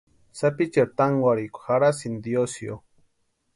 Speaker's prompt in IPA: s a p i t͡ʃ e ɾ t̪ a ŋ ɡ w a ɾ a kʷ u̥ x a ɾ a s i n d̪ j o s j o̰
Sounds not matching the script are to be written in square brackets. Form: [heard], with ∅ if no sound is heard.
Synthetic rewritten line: s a p i t͡ʃ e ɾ t̪ a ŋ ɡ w a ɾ [i] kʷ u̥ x a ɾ a s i n d̪ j o s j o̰